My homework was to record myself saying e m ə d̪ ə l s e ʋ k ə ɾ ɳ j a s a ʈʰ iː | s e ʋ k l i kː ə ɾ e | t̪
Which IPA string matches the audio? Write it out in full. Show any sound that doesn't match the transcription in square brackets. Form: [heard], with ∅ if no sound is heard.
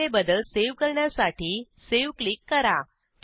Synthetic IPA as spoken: e [b] ə d̪ ə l s e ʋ k ə ɾ ɳ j a s a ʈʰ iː | s e ʋ k l i kː ə ɾ [a] | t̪